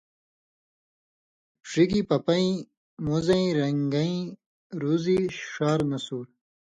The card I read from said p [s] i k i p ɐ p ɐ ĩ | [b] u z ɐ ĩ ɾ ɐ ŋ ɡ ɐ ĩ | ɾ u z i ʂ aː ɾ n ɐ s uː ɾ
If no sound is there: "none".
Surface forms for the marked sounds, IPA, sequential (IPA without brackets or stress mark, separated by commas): ʂ, m